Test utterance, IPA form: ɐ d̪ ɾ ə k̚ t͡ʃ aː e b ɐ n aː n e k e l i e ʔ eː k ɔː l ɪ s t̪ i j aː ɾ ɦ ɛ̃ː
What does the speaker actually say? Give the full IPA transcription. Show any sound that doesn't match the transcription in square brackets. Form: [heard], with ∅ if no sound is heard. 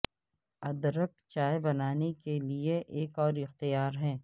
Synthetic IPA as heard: ɐ d̪ ɾ ə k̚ t͡ʃ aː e b ɐ n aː n e k e l i e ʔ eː k ɔː [ɾ] ɪ [x] t̪ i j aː ɾ ɦ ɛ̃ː